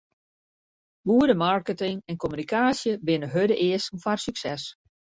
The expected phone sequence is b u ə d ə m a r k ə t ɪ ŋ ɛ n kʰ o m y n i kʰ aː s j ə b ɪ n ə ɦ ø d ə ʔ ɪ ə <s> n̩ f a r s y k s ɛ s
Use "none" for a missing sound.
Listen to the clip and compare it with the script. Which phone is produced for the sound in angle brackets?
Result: s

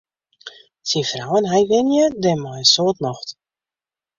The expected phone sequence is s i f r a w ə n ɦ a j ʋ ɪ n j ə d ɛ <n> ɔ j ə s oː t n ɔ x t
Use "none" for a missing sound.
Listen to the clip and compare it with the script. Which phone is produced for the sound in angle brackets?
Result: m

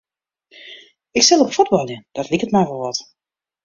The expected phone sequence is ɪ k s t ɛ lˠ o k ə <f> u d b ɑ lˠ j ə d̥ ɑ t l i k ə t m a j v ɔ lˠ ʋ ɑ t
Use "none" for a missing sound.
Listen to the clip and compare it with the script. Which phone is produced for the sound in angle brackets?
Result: f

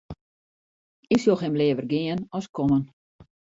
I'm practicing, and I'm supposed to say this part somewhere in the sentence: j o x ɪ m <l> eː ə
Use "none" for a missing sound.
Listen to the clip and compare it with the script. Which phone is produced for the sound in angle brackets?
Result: l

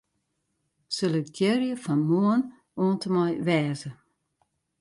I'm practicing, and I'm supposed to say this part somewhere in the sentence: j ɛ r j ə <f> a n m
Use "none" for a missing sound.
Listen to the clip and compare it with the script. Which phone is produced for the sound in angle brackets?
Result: f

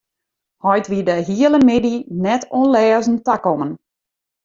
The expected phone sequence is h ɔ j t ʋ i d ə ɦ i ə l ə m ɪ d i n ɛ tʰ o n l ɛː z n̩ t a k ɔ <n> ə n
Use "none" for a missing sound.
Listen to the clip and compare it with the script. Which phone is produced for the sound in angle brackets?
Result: m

